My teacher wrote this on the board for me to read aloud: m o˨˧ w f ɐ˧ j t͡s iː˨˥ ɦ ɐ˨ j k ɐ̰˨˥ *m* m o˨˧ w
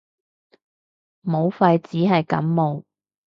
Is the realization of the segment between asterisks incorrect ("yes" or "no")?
no